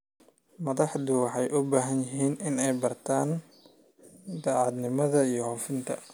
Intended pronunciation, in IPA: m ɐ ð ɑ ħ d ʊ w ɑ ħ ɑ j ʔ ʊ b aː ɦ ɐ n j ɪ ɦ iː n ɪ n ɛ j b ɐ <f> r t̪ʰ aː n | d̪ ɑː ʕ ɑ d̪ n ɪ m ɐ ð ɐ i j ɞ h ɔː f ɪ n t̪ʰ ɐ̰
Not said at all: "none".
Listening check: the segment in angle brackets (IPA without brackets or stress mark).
none